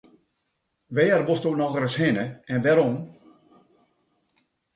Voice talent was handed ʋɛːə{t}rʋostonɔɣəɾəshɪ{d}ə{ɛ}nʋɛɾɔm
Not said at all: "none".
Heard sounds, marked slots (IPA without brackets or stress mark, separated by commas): none, n, ɛ